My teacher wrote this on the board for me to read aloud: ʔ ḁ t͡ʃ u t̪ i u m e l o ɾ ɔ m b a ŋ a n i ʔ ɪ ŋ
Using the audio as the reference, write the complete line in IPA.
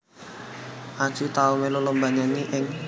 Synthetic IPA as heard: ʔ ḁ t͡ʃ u t̪ a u m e l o l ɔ m b a ɲ a n i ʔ ɪ ŋ